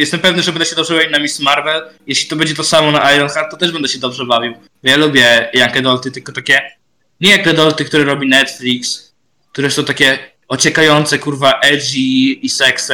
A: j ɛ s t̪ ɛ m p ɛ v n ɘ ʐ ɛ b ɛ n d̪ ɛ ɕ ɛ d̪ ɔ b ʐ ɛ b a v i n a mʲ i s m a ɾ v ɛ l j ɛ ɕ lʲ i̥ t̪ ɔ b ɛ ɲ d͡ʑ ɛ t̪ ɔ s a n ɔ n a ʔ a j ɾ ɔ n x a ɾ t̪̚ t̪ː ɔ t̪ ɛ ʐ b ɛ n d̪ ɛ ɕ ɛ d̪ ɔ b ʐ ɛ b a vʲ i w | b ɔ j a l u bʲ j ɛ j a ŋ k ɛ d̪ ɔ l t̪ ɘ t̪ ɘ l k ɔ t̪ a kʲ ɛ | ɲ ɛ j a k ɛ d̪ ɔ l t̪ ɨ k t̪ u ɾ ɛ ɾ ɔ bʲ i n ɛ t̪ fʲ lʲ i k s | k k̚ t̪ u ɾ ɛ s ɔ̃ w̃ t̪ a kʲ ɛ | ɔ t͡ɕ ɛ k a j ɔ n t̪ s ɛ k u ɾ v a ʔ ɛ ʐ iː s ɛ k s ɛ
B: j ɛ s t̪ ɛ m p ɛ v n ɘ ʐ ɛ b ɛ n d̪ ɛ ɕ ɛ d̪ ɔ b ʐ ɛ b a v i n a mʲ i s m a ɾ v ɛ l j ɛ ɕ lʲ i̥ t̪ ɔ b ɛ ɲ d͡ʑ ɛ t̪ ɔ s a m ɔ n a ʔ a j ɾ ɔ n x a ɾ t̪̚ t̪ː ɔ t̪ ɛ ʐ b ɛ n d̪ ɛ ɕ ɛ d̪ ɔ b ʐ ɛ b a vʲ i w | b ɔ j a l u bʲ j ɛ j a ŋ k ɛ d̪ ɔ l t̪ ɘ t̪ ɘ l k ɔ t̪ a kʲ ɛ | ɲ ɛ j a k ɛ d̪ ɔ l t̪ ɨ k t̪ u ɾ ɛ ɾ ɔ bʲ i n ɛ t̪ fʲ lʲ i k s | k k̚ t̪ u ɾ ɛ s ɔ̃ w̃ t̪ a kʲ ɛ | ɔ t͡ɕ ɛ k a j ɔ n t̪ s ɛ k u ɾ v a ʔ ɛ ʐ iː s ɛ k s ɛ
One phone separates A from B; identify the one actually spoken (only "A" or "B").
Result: B